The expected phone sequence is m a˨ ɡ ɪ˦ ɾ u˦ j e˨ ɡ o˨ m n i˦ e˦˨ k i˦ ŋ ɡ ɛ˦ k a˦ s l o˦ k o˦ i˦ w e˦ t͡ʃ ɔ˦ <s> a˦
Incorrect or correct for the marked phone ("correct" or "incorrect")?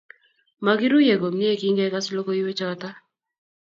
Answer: incorrect